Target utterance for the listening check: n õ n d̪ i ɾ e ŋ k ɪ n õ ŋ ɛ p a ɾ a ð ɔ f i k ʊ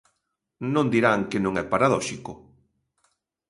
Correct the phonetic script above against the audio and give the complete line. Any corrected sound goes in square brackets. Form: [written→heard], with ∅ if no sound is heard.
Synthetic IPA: n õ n d̪ i ɾ [e→a] ŋ k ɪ n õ ŋ ɛ p a ɾ a ð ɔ [f→ʃ] i k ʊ